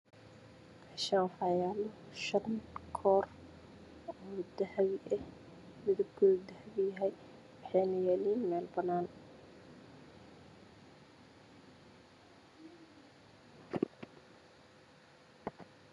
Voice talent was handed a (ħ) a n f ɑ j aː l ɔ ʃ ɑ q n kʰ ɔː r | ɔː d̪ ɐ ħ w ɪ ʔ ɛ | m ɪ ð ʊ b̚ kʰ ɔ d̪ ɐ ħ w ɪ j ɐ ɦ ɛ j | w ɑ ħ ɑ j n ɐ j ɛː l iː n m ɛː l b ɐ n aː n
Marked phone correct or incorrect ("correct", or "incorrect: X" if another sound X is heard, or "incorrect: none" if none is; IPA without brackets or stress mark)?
incorrect: ʃ